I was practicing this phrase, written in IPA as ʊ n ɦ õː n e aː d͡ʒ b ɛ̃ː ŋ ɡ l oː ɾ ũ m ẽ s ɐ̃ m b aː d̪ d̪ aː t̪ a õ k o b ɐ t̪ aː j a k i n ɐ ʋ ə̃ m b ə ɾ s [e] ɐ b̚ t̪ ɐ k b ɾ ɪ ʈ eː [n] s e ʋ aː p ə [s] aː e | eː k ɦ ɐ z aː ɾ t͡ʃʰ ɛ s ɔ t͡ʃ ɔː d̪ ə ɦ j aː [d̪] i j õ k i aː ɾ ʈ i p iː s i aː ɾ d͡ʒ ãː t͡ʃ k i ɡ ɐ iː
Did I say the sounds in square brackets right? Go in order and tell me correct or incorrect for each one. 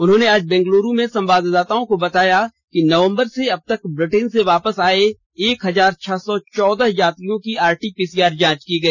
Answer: correct, correct, correct, incorrect

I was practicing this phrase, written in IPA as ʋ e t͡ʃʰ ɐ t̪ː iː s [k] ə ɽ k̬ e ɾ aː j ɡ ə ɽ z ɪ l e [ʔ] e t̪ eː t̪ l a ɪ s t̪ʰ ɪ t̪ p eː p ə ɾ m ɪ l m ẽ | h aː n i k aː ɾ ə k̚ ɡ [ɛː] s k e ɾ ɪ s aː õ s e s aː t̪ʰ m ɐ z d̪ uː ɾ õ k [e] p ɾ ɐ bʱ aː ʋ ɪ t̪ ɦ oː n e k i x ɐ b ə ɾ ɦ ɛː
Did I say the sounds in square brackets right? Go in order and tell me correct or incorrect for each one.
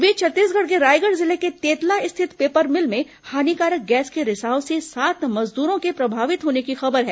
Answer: incorrect, incorrect, correct, correct

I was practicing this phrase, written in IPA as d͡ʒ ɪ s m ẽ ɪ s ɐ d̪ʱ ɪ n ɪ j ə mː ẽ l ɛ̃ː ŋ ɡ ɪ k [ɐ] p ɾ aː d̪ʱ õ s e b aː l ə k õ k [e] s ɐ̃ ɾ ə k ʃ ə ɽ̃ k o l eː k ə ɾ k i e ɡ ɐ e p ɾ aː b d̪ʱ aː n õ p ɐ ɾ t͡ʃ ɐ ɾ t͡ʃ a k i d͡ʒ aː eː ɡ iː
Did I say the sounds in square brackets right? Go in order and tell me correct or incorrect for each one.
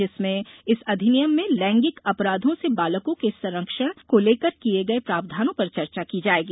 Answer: correct, correct

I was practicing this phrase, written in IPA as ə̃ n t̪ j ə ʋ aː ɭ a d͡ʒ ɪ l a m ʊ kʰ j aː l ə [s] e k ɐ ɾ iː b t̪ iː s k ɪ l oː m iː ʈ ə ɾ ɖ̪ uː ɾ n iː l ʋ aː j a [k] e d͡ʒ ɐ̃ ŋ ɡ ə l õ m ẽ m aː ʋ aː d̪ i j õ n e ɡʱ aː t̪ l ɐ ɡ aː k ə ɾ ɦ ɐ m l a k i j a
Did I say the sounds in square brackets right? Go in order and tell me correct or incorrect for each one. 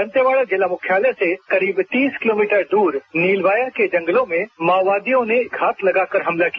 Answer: correct, correct

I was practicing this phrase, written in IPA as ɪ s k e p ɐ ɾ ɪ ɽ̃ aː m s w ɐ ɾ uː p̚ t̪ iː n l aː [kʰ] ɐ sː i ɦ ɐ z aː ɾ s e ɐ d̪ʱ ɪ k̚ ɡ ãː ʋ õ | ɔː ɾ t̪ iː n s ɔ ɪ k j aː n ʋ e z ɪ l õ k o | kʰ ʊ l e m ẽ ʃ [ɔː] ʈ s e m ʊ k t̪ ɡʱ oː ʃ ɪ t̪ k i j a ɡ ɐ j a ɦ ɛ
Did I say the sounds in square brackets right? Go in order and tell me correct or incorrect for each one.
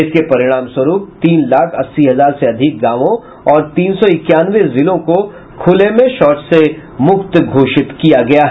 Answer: correct, correct

